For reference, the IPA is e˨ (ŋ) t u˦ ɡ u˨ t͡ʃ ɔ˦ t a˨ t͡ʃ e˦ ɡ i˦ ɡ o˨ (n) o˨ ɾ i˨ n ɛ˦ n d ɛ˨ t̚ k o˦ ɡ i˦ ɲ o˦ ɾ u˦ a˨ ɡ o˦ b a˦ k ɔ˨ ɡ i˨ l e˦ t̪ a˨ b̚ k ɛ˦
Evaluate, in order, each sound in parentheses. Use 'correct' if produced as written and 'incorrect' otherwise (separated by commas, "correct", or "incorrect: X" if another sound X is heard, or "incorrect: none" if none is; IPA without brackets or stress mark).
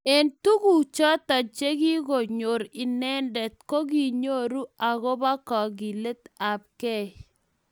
incorrect: n, incorrect: ɲ